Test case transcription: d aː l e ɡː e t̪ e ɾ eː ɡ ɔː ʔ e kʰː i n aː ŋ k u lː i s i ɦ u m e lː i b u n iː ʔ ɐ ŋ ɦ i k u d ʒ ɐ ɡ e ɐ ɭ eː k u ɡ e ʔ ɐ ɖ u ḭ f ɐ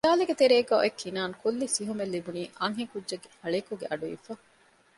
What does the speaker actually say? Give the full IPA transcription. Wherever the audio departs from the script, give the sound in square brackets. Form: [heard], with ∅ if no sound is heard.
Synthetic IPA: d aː l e [ɡ] e t̪ e ɾ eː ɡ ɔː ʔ e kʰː i n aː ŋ k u lː i s i ɦ u m e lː i b u n iː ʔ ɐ ŋ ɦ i k u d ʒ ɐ ɡ e ɐ ɭ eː k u ɡ e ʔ ɐ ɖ u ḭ f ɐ